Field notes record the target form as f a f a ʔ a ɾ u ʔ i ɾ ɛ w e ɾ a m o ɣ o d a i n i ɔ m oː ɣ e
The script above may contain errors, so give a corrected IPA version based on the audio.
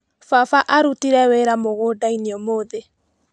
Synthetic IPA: f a f a ʔ a ɾ u t i ɾ ɛ w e ɾ a m o ɣ o d a i n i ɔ m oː ð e